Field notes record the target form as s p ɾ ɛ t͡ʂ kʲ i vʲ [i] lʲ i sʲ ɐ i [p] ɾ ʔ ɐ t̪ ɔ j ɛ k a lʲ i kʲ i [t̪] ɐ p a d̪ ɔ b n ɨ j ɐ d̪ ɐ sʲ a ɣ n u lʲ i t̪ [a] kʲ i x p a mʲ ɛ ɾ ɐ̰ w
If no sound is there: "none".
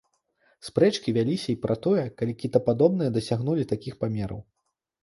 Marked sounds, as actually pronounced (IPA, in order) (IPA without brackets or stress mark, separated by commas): a, p, t̪, a